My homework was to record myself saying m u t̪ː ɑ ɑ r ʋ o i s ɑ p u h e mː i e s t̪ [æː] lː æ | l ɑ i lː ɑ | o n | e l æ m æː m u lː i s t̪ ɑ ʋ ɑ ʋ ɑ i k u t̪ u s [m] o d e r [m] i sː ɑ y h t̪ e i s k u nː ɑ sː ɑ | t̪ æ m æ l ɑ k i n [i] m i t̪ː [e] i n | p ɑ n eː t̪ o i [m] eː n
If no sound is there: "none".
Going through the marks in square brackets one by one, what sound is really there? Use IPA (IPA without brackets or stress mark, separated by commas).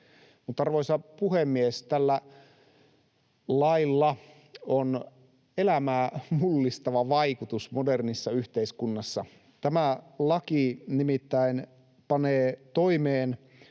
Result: æ, m, n, i, æ, m